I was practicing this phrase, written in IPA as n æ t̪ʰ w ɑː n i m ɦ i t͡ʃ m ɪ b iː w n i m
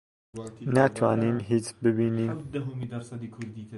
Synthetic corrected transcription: n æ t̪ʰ w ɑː n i m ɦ i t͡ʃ b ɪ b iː n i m